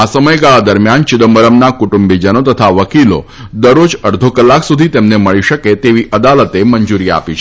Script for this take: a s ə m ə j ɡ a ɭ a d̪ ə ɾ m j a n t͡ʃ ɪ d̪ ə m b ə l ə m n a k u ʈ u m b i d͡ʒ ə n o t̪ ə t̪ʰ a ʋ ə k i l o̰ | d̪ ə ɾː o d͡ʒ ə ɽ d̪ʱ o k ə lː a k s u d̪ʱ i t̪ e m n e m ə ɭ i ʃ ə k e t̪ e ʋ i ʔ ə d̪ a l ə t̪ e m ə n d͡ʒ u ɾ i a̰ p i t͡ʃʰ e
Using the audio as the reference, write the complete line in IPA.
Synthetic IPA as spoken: a s ə m ə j ɡ a ɭ a d̪ ə ɾ m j a n t͡ʃ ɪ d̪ ə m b ə ɾ ə m n a k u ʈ u m b i d͡ʒ ə n o t̪ ə t̪ʰ a ʋ ə k i l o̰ | d̪ ə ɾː o d͡ʒ ə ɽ d̪ʱ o k ə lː a k s u d̪ʱ i t̪ e m n e m ə ɭ i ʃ ə k e t̪ e ʋ i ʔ ə d̪ a l ə t̪ e m ə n d͡ʒ u ɾ i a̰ p i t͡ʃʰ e